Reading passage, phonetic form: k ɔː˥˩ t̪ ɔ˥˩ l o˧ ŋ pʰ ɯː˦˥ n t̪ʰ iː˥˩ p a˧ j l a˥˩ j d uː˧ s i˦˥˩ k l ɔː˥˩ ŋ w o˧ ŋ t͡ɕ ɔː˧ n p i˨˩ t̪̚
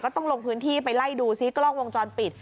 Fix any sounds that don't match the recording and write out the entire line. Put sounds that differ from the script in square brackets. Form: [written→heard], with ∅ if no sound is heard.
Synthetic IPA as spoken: k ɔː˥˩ t̪ ɔ˥˩ l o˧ ŋ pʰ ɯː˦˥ n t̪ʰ iː˥˩ p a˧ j l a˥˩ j d uː˧ s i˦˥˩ k l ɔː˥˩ ŋ w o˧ ŋ t͡ɕ ɔː˧ n p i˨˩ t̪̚